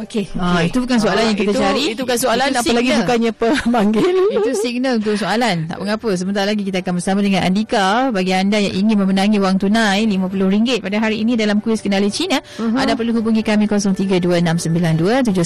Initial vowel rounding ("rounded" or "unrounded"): rounded